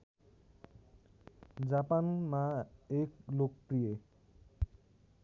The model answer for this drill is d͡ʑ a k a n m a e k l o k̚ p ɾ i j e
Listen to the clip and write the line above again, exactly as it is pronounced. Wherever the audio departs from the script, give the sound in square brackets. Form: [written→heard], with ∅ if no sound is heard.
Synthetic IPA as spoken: d͡ʑ a [k→p] a n m a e k l o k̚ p ɾ i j e